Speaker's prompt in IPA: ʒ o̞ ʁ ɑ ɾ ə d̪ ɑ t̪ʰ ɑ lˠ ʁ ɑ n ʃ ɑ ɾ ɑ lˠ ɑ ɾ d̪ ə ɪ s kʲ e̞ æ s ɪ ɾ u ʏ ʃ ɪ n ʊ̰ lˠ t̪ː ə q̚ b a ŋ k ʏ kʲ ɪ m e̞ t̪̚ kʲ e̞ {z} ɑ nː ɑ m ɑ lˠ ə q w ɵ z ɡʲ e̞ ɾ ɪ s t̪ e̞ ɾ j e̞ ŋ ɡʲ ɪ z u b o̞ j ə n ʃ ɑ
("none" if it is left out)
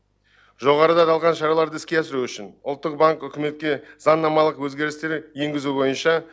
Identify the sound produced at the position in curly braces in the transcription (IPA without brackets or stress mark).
z